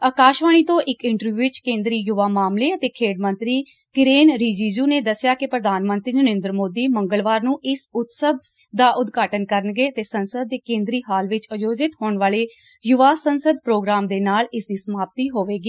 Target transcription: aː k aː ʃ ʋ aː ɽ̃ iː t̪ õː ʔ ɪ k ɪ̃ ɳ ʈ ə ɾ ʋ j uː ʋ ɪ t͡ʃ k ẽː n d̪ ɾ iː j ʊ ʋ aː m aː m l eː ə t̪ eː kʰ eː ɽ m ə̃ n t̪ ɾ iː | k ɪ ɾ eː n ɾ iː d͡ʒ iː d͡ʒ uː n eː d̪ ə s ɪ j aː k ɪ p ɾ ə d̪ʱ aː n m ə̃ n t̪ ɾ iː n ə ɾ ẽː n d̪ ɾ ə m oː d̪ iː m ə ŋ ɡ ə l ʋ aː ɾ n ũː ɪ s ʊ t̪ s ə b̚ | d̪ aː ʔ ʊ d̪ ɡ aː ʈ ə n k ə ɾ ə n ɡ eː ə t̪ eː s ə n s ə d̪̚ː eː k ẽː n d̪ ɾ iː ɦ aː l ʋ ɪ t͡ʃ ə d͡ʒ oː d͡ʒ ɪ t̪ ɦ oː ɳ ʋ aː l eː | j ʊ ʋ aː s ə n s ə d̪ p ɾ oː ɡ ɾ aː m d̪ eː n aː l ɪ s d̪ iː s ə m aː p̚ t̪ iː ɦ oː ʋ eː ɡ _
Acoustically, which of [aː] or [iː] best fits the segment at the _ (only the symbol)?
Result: iː